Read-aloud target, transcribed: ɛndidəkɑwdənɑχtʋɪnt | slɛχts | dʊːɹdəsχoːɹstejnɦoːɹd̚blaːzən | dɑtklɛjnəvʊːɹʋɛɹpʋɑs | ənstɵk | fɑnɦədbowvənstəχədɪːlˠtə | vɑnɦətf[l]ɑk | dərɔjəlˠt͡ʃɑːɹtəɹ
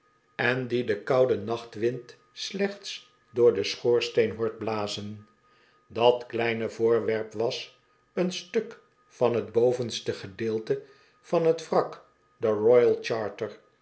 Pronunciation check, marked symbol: incorrect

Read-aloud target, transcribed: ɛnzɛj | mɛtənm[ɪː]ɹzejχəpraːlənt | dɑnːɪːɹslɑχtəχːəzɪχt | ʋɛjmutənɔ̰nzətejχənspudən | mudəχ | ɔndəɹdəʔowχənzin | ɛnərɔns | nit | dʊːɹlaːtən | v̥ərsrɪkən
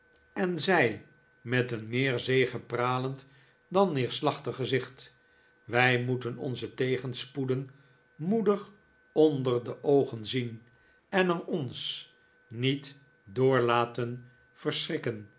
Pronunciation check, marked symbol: correct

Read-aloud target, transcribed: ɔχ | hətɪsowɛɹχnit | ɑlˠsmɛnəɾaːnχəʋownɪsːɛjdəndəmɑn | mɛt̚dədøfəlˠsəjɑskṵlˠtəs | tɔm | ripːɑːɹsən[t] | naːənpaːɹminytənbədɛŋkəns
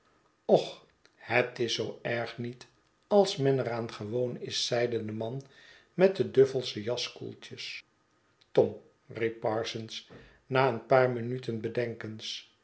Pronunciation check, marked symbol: incorrect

